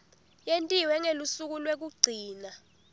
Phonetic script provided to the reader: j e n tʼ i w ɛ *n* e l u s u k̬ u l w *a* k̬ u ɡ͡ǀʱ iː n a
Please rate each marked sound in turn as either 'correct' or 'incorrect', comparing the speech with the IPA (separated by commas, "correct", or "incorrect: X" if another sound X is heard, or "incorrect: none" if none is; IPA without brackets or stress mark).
incorrect: ŋ, incorrect: e